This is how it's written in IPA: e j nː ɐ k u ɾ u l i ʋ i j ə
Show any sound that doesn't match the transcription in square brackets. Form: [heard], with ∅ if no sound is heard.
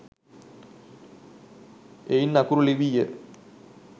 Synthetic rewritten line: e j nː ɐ k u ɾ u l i ʋ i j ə